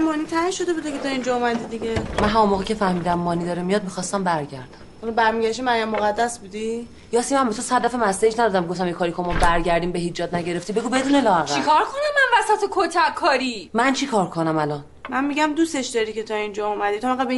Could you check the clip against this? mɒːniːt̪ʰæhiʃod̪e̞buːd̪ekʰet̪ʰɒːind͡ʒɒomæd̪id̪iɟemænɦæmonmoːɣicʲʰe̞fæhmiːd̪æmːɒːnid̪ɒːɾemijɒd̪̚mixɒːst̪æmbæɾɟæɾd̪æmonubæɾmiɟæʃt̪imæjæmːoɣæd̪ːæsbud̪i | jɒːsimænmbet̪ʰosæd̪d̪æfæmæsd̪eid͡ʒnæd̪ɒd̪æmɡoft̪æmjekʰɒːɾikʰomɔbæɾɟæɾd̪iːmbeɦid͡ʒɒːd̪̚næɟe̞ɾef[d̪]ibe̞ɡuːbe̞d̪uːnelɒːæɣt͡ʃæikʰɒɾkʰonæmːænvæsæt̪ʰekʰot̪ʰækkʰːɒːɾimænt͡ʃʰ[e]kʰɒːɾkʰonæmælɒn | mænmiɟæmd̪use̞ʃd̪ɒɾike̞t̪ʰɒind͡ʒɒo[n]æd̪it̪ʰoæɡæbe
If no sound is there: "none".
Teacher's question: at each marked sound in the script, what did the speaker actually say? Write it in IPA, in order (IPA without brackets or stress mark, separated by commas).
t̪, i, m